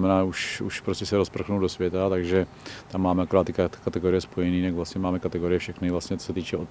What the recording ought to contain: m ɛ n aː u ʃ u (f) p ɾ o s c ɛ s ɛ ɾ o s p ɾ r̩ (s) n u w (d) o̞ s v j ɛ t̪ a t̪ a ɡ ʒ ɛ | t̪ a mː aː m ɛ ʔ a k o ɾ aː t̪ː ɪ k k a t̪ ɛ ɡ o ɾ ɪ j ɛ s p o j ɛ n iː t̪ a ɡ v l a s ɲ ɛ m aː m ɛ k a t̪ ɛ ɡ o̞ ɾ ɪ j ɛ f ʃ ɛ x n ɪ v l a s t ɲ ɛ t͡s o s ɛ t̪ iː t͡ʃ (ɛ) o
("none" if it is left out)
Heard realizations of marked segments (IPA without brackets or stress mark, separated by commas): ʃ, x, d, ɛ